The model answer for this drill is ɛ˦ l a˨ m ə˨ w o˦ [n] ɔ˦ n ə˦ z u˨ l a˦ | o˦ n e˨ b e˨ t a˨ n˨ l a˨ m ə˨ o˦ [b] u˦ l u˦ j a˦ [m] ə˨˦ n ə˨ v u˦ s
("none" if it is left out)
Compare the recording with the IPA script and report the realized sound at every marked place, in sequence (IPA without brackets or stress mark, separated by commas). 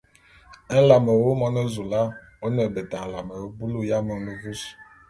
m, b, m